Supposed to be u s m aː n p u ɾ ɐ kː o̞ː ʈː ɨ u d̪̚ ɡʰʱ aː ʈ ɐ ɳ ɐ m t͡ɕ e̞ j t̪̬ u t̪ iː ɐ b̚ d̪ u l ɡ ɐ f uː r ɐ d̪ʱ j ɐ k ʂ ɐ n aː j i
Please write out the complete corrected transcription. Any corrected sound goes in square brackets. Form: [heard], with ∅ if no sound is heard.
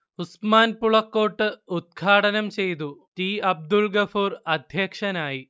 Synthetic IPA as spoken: u s m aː n p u [ɭ] ɐ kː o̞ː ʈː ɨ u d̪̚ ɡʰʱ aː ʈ ɐ [n] ɐ m t͡ɕ e̞ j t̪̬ u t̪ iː ɐ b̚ d̪ u l ɡ ɐ f uː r ɐ d̪ʱ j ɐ k ʂ ɐ n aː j i